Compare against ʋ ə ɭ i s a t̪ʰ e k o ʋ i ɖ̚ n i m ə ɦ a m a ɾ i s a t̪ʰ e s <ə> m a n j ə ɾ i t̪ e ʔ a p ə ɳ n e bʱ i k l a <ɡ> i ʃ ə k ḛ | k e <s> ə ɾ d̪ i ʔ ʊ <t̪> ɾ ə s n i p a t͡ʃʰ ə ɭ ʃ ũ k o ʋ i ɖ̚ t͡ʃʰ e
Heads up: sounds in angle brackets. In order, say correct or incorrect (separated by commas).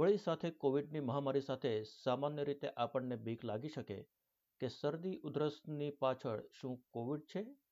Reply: incorrect, correct, correct, incorrect